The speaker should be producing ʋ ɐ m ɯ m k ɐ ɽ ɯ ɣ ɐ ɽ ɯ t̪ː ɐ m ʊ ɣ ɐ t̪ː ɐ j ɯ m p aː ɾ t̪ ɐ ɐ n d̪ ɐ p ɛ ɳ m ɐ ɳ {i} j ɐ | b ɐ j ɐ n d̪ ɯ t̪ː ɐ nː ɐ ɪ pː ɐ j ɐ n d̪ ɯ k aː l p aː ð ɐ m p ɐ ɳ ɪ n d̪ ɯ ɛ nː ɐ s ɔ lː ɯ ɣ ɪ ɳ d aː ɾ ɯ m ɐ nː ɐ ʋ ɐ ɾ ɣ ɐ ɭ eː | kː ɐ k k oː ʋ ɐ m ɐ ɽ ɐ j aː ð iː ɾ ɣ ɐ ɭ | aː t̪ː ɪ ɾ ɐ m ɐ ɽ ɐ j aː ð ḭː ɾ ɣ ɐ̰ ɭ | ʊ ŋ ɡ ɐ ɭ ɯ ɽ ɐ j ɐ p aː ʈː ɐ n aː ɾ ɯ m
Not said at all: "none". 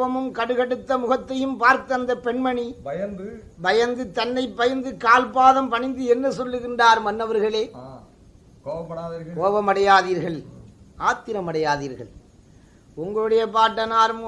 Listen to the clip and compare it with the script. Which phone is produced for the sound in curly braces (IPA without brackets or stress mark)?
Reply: i